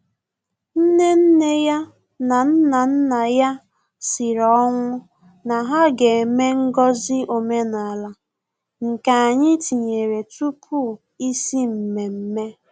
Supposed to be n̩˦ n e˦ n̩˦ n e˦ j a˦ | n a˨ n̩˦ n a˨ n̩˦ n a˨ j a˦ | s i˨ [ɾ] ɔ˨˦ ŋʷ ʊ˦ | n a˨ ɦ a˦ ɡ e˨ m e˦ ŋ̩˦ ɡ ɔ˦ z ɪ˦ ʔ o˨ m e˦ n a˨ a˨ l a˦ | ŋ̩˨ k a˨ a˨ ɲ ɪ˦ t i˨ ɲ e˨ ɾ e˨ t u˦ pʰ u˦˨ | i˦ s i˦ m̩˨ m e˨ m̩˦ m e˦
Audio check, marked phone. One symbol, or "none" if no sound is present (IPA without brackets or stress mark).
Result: ɾ